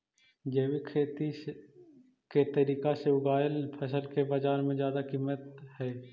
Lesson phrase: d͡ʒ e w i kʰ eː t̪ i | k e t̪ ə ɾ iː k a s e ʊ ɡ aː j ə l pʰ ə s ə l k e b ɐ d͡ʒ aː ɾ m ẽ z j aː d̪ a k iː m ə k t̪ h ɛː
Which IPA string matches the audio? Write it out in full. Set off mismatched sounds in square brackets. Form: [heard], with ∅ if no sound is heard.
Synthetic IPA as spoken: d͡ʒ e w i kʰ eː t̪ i | k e t̪ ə ɾ iː k a s e ʊ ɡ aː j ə l pʰ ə s ə l k e b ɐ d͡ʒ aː ɾ m ẽ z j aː d̪ a k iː m ə [∅] t̪ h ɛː